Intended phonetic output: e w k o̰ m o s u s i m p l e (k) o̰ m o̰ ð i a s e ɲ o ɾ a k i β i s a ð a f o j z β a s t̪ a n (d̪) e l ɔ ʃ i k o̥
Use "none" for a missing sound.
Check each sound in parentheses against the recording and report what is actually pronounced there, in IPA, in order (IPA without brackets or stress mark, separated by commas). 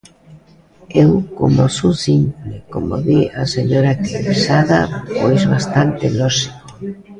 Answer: k, t̪